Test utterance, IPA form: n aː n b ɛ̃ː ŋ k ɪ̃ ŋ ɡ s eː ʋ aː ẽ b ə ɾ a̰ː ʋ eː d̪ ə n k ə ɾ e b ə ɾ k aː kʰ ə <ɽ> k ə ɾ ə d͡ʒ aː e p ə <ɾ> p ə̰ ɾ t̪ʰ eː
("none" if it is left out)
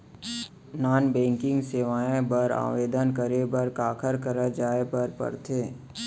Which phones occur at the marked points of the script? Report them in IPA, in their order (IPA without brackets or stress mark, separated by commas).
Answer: ɾ, ɾ